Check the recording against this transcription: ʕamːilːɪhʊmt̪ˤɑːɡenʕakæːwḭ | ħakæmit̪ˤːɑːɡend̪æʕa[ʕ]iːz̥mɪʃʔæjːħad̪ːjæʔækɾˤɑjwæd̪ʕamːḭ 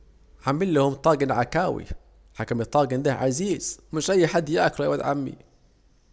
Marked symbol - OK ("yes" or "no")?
no